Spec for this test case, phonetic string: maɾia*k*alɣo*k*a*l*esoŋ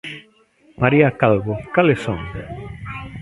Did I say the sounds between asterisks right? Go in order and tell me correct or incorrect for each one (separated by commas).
correct, correct, correct